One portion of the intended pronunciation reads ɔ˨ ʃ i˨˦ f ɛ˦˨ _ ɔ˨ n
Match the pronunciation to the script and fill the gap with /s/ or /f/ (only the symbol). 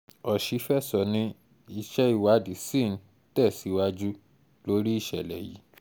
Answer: s